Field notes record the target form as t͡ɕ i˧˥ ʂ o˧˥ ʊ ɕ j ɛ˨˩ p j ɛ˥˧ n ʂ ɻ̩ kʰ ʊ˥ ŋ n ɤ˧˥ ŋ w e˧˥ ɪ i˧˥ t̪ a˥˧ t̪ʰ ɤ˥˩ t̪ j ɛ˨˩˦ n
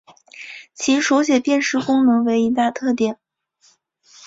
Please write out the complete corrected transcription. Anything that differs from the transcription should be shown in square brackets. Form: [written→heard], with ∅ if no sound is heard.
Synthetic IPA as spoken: [t͡ɕ→t͡ɕʰ] i˧˥ ʂ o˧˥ ʊ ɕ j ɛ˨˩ p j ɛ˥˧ n ʂ ɻ̩ [kʰ→k] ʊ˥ ŋ n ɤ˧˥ ŋ w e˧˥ ɪ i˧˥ t̪ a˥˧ t̪ʰ ɤ˥˩ t̪ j ɛ˨˩˦ n